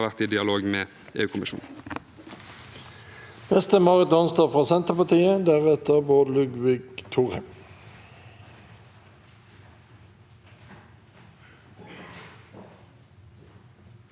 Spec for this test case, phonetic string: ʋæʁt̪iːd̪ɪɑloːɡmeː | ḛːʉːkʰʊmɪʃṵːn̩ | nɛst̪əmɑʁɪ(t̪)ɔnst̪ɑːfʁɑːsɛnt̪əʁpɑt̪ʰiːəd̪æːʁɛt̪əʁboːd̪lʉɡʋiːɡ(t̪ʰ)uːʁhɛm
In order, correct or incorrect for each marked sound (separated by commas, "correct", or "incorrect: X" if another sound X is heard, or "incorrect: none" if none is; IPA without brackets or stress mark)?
correct, correct